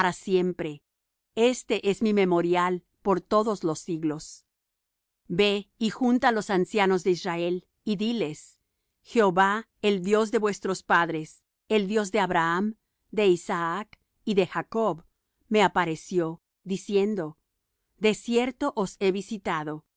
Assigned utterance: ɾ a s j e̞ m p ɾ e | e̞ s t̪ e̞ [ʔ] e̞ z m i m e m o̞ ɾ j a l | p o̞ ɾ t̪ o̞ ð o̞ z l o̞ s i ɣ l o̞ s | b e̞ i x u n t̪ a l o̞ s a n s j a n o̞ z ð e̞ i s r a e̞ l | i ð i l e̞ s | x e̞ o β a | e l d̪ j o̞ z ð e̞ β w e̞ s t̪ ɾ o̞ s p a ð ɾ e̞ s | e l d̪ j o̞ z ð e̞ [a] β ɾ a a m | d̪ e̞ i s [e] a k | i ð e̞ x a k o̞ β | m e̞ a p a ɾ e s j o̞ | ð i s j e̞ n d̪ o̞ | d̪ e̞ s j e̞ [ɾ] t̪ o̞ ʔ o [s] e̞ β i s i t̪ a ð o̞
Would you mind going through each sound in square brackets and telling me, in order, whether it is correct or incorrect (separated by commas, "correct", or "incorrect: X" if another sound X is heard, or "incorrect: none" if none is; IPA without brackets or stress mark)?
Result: correct, correct, incorrect: a, correct, correct